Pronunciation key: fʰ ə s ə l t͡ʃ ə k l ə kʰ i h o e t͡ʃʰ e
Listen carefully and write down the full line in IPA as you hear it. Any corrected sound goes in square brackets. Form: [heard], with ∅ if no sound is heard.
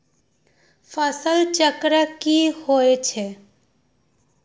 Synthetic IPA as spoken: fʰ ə s ə l t͡ʃ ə k [ɾ] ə [k] i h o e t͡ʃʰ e